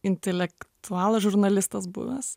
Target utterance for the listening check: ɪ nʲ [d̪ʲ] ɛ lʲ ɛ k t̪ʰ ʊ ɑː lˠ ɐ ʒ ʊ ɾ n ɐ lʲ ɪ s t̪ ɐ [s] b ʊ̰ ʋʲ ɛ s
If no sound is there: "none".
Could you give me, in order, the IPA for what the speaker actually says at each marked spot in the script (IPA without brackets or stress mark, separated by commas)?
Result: t̪ʲ, s